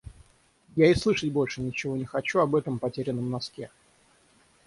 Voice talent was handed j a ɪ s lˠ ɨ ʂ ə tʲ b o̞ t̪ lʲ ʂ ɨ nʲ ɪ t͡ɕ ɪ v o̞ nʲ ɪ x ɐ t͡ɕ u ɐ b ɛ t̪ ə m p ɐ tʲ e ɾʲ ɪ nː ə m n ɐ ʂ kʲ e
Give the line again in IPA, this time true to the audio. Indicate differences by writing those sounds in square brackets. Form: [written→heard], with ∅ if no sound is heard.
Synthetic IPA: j a ɪ s lˠ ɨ ʂ ə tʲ b o̞ [t̪→∅] lʲ ʂ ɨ nʲ ɪ t͡ɕ ɪ v o̞ nʲ ɪ x ɐ t͡ɕ u ɐ b ɛ t̪ ə m p ɐ tʲ e ɾʲ ɪ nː ə m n ɐ [ʂ→s] kʲ e